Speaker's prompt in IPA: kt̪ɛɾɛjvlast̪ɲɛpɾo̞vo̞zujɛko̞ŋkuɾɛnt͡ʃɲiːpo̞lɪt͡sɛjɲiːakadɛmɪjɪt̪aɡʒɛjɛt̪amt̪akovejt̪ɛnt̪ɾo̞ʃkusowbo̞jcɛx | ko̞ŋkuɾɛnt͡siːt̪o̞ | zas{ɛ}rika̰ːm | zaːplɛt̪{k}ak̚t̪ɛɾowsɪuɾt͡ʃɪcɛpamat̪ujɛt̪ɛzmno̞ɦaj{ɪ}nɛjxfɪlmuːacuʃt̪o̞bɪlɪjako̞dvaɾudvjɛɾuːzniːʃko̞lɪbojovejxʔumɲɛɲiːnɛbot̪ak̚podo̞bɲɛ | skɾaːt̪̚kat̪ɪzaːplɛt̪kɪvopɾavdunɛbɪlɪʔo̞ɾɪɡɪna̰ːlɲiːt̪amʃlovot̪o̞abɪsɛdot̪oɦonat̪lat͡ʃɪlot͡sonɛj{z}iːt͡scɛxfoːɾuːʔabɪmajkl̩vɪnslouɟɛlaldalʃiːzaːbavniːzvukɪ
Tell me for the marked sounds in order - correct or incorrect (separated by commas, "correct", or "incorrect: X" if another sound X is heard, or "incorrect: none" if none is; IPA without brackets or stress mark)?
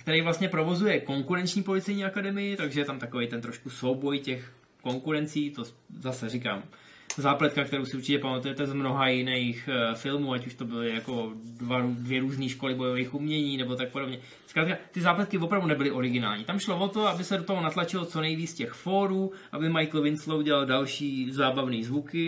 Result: correct, correct, correct, incorrect: v